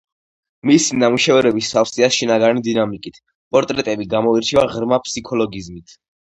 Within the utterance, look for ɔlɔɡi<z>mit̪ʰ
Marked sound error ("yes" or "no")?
no